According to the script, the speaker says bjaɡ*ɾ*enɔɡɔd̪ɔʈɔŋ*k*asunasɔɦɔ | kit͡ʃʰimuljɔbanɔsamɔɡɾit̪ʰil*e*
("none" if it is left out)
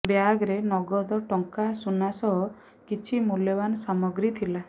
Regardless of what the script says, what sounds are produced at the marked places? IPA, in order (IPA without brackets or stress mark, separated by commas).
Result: ɾ, k, a